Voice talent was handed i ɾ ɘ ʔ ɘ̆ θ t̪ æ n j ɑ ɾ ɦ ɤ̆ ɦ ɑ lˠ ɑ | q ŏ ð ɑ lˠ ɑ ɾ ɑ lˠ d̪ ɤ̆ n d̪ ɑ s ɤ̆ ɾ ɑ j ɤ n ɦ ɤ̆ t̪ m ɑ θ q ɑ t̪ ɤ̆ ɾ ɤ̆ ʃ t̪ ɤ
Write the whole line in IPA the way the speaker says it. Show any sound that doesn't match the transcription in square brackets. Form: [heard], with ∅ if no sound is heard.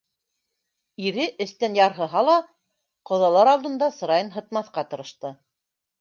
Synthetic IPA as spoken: i ɾ ɘ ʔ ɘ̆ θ t̪ æ n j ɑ ɾ ɦ ɤ̆ ɦ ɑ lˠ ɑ | q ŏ ð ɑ lˠ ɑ ɾ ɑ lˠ d̪ ɤ̆ n d̪ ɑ s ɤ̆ ɾ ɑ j ɤ n ɦ ɤ̆ t̪ m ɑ θ q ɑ t̪ ɤ̆ ɾ ɤ̆ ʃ t̪ ɤ